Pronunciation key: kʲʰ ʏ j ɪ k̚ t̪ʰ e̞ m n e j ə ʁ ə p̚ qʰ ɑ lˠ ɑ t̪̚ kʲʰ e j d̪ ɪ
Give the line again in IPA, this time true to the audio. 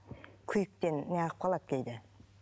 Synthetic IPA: kʲʰ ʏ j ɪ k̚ t̪ e̞ n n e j ɑ ʁ ə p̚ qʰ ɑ lˠ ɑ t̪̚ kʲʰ e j d̪ ɪ

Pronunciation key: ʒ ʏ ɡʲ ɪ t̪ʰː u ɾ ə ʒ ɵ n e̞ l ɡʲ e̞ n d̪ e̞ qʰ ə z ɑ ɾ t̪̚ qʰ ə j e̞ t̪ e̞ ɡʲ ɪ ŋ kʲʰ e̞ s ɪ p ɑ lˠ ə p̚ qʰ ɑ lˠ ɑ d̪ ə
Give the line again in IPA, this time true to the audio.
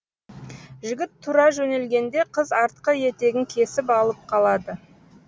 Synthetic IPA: ʒ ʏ ɡʲ ɪ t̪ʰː u ɾ ɑ ʒ ɵ n e̞ l ɡʲ e̞ n d̪ e̞ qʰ ə z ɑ ɾ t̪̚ q ə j e̞ t̪ e̞ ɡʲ ɪ ŋ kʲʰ e̞ s ɪ p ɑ lˠ ə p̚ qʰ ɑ lˠ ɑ d̪ ə

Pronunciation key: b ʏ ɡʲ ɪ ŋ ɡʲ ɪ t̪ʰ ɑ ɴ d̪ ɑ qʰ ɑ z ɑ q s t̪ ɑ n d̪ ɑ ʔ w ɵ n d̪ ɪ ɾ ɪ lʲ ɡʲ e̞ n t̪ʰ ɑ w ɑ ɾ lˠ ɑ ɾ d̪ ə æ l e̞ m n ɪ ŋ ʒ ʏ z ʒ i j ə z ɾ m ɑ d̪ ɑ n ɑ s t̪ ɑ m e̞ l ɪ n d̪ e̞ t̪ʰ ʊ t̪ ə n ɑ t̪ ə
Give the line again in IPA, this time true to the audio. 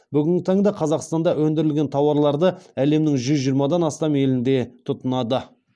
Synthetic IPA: b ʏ ɡʲ ɪ ŋ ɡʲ ɪ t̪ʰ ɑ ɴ d̪ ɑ qʰ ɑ z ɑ q s t̪ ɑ n d̪ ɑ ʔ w ɵ n d̪ ɪ ɾ ɪ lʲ ɡʲ e̞ n t̪ʰ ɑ w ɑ ɾ lˠ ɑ ɾ d̪ ə æ l e̞ m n ɪ ŋ ʒ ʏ z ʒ i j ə ɾ m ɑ d̪ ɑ n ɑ s t̪ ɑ m e̞ l ɪ n d̪ e̞ t̪ʰ ʊ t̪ ə n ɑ d̪ ə

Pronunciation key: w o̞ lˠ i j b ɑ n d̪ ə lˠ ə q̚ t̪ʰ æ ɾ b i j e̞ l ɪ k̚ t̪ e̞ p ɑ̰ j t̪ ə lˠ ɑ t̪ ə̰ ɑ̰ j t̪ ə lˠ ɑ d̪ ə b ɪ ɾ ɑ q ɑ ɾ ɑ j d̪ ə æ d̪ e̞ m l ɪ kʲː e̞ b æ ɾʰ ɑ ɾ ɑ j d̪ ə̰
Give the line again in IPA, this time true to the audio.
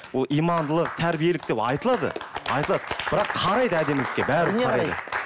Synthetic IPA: w o̞ lˠ i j m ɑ n d̪ ə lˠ ə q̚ t̪ʰ æ ɾ b i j e̞ l ɪ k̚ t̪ e̞ p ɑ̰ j t̪ ə lˠ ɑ d̪ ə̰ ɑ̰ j t̪ ə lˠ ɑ d̪ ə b ɪ ɾ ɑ qʰ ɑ ɾ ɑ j d̪ ə æ d̪ e̞ m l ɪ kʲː e̞ b æ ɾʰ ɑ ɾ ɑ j d̪ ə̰

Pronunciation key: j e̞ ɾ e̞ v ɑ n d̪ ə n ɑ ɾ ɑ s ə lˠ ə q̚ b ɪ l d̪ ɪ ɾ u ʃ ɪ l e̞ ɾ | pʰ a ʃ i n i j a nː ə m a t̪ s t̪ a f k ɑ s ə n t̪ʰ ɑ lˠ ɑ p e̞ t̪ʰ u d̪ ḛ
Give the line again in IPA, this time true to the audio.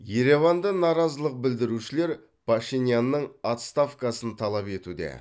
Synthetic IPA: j e̞ ɾ e̞ v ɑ n d̪ ə n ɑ ɾ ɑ z ə lˠ ə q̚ b ɪ l d̪ ɪ ɾ u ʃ ɪ l e̞ ɾ | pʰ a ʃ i n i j a nː ə ɴ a t̪ s t̪ a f k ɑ s ə n t̪ʰ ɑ lˠ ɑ p e̞ t̪ u d̪ ḛ

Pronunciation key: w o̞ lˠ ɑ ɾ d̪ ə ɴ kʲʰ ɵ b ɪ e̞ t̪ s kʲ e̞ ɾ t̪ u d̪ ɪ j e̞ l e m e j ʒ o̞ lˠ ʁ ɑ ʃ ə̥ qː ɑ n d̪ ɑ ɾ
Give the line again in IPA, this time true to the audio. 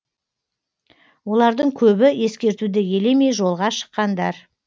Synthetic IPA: w o̞ lˠ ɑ ɾ d̪ ə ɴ kʲʰ ɵ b ɪ e̞ s kʲ e̞ ɾ t̪ u d̪ ɪ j e̞ l e m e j ʒ o̞ lˠ ʁ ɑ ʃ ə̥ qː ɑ n d̪ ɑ ɾ

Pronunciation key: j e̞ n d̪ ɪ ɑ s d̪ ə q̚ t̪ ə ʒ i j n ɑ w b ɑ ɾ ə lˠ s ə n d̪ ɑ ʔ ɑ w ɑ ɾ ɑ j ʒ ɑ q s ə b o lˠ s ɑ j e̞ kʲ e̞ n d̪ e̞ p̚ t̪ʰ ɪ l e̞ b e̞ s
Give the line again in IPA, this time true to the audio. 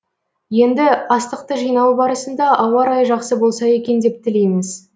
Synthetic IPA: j e̞ n d̪ ɪ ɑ s t̪ ə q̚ t̪ ə ʒ i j n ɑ w b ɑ ɾ ə s ə n d̪ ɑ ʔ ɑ w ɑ ɾ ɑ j ʒ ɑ q s ə b o lˠ s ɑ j e̞ kʲ e̞ n d̪ e̞ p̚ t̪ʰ ɪ l e̞ m e̞ s

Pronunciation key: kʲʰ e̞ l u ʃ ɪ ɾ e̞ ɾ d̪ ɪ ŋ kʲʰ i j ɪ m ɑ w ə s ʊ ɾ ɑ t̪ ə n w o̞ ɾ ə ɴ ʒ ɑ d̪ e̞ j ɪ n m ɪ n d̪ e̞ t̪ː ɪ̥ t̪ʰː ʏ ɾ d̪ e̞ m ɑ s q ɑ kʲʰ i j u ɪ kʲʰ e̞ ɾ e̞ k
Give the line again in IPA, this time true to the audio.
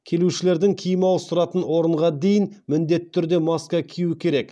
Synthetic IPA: kʲʰ e̞ l u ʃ ɪ l e̞ ɾ d̪ ɪ ŋ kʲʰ i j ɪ m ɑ w ə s ʊ ɾ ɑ t̪ ə n w o̞ ɾ ə ɴ ʁ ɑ d̪ e̞ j ɪ n m ɪ n d̪ e̞ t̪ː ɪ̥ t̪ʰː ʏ ɾ d̪ e̞ m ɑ s k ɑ kʲʰ i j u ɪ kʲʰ e̞ ɾ e̞ k

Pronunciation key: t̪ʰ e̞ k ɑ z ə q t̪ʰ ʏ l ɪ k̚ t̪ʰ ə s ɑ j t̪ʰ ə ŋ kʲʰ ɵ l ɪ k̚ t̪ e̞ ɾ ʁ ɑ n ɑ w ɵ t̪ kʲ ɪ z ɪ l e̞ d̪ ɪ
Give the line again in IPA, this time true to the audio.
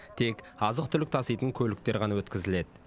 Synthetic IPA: t̪ʰ e̞ k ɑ z ə q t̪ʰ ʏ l ɪ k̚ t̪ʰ ɑ s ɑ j t̪ ə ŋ kʲʰ ɵ l ɪ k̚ t̪ e̞ ɾ ʁ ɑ n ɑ w ɵ t̪ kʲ ɪ z ɪ l e̞ d̪ ɪ

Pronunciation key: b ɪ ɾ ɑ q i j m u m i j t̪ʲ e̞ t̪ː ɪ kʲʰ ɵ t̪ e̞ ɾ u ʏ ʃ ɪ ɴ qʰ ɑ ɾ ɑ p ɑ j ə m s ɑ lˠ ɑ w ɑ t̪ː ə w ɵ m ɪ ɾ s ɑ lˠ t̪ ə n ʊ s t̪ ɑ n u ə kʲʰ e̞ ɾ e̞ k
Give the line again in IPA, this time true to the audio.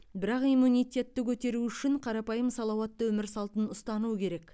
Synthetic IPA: b ɪ ɾ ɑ q i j m u n i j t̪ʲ e̞ t̪ː ɪ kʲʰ ɵ t̪ e̞ ɾ u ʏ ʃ ɪ ɴ qʰ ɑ ɾ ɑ p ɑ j ə m s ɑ lˠ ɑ w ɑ t̪ː ə w ɵ m ɪ ɾ s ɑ lˠ t̪ ə n ʊ s t̪ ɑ n u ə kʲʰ e̞ ɾ e̞ k

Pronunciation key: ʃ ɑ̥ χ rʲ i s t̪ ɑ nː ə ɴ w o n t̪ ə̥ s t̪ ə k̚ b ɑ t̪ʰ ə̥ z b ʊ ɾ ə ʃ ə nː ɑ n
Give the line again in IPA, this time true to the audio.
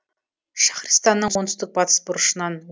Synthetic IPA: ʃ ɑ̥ χ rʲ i s t̪ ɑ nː ə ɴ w o n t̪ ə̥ s t̪ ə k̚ b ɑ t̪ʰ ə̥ s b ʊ ɾ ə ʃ ə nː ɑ n

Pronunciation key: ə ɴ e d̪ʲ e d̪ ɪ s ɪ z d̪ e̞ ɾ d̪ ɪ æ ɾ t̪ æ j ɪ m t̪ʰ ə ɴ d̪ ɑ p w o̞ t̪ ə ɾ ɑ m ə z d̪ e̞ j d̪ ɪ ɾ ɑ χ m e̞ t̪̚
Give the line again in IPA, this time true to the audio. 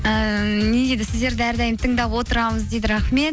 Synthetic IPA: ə n e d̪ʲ e d̪ ɪ s ɪ z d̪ e̞ ɾ d̪ ɪ æ ɾ d̪ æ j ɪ m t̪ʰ ə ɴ d̪ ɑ p w o̞ t̪ ə ɾ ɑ m ə z d̪ e̞ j d̪ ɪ ɾ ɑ χ m e̞ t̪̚

